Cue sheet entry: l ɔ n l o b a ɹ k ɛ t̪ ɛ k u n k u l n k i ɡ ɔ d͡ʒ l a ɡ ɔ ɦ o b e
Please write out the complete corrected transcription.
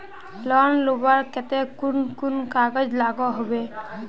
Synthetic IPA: l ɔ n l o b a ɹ k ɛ t̪ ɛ k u n k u n k a ɡ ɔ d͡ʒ l a ɡ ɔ ɦ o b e